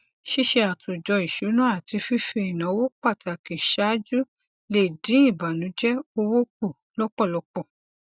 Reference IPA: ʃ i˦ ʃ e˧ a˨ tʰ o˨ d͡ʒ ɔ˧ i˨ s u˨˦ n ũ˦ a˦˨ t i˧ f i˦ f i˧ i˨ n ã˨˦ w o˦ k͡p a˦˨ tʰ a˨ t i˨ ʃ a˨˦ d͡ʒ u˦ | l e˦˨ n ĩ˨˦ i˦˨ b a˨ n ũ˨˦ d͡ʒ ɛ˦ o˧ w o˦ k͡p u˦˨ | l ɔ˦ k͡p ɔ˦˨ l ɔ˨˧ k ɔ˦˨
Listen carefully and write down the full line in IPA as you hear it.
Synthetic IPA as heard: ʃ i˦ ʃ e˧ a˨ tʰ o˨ d͡ʒ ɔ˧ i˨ ʃ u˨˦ n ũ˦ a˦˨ t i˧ f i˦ f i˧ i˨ n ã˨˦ w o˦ k͡p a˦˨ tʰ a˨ k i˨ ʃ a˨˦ d͡ʒ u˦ | l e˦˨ d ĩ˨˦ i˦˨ b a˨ n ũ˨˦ d͡ʒ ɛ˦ o˧ w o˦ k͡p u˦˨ | l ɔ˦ k͡p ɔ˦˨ l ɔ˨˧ k͡p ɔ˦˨

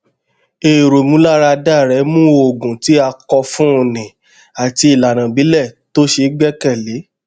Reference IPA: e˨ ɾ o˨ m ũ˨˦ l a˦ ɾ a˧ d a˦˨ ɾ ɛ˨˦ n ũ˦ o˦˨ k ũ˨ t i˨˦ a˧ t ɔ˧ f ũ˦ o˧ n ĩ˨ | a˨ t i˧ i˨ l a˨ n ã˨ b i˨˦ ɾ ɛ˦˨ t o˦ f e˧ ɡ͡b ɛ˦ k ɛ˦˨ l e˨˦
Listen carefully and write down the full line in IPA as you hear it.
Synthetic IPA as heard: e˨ ɾ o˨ m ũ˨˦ l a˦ ɾ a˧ d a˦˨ ɾ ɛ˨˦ m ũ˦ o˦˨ ɡ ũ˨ t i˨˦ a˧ k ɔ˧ f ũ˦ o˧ n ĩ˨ | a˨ t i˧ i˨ l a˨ n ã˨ b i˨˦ l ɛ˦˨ t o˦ ʃ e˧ ɡ͡b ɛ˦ k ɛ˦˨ l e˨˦

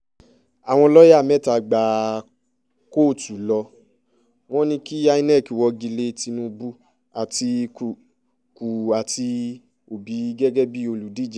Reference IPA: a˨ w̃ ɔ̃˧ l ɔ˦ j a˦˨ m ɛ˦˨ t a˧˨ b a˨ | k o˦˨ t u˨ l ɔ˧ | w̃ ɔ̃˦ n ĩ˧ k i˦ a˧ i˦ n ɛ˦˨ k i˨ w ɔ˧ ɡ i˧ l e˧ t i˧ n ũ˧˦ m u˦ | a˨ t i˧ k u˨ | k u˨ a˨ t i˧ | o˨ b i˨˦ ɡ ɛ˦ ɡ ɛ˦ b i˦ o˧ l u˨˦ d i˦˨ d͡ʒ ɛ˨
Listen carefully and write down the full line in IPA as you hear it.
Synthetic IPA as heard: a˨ w̃ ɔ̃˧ l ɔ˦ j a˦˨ m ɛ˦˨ t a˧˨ ɡ͡b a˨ | k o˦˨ t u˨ l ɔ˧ | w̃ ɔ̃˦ n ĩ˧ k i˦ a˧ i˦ n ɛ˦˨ k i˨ w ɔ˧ ɡ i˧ l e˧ t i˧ n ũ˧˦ b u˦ | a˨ t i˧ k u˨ | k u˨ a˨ t i˧ | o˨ b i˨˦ ɡ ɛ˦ ɡ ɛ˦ b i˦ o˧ l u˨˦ d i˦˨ d͡ʒ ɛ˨

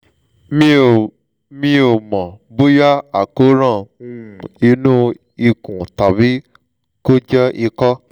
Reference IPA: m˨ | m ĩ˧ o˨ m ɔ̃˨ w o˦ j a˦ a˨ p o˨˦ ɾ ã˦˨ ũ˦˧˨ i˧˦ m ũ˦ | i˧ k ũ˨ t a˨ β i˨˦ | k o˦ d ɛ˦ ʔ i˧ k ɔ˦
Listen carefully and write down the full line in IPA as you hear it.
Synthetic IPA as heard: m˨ | m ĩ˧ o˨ m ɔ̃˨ b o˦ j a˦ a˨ k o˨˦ ɾ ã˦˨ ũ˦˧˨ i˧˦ n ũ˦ | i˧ k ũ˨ t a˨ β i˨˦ | k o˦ d͡ʒ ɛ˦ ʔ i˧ k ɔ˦

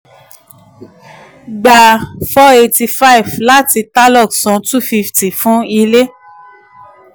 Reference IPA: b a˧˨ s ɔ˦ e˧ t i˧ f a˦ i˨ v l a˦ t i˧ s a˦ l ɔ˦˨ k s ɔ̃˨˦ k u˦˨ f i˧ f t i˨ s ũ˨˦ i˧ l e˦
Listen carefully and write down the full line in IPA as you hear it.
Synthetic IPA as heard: ɡ͡b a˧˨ f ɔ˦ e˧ t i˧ f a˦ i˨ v l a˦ t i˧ t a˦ l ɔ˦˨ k s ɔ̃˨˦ t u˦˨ f i˧ f t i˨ f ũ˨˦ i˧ l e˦

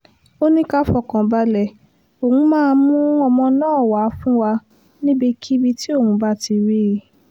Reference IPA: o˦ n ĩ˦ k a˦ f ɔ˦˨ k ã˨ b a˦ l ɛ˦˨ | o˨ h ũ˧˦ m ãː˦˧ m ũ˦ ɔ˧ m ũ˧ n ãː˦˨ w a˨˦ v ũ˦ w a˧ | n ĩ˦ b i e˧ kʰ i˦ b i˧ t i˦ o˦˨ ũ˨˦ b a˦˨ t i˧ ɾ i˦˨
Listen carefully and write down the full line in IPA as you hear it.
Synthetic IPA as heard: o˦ n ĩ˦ k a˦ f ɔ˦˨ k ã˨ b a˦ l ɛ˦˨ | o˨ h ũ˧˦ m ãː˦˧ m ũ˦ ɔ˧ m ɔ̃˧ n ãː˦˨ w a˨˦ f ũ˦ w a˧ | n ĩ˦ b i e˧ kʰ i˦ b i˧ t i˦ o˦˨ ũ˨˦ b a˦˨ t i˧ ɾ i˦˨

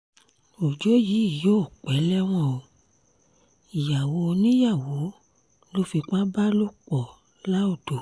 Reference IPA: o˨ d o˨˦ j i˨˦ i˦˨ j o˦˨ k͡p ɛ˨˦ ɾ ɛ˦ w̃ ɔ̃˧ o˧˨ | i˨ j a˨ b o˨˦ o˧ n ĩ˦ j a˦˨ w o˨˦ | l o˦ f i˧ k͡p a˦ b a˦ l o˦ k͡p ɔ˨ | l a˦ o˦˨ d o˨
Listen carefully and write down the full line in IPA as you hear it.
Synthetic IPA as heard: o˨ d͡ʒ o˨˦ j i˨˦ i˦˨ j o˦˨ k͡p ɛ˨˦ l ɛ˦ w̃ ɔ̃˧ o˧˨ | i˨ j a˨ w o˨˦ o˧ n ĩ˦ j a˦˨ w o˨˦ | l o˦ f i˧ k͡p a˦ b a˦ l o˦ k͡p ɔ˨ | l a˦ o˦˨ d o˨

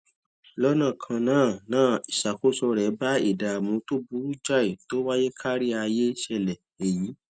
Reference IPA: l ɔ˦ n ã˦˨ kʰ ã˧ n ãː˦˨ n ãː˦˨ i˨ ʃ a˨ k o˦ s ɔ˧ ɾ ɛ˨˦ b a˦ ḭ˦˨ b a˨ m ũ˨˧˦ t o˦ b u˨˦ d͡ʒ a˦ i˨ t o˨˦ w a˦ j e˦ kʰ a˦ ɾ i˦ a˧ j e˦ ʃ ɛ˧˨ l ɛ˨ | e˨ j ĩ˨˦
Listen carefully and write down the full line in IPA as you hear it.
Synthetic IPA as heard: l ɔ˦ n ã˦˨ kʰ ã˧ n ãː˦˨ n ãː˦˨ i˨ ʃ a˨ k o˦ s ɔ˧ ɾ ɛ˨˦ b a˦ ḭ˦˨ d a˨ m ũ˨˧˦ t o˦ b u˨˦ d͡ʒ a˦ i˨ t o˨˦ w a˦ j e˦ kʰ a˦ ɾ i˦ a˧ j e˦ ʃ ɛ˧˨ l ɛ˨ | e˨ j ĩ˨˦

